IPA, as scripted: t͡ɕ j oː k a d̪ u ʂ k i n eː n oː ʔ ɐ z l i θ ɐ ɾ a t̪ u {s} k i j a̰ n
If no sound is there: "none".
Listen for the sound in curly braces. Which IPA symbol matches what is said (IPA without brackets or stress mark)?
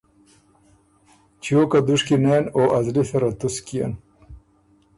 s